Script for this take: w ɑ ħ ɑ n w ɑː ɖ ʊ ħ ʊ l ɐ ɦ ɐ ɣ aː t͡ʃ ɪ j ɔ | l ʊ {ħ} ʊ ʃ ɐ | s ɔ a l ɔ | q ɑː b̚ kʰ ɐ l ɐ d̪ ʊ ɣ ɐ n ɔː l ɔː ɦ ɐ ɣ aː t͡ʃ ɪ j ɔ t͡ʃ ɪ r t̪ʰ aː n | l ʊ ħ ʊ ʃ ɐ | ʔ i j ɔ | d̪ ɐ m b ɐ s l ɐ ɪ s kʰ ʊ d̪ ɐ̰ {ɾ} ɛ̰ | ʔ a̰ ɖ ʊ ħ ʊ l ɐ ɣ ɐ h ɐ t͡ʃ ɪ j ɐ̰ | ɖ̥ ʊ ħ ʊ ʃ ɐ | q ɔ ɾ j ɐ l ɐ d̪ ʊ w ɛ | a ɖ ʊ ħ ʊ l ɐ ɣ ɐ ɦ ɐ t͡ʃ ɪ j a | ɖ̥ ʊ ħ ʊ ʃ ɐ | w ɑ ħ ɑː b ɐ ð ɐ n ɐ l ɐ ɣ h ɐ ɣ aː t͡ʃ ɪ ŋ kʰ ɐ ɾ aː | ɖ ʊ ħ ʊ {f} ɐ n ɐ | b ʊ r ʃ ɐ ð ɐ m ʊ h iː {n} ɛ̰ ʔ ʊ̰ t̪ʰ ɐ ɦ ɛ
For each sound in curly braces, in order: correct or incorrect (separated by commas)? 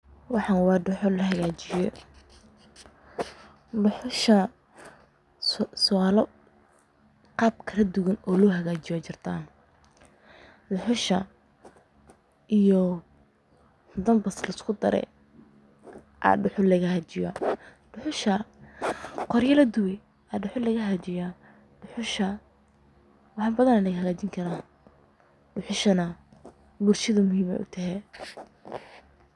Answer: correct, correct, incorrect, incorrect